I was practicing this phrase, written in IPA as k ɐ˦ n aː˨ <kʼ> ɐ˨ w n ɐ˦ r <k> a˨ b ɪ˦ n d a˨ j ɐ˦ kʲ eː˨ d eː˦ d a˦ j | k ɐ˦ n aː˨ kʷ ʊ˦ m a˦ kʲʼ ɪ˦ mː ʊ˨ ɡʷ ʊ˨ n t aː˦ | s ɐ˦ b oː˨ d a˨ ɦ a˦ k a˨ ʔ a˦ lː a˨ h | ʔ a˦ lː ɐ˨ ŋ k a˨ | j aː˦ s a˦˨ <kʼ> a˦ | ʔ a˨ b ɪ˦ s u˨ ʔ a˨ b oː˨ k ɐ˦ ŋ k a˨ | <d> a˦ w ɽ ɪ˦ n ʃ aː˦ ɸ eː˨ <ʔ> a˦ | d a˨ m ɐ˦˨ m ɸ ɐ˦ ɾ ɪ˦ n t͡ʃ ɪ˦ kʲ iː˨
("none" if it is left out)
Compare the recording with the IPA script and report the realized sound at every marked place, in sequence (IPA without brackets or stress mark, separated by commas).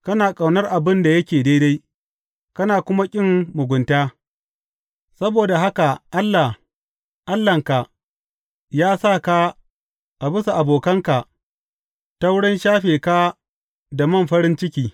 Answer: kʼ, ʔ, k, t, k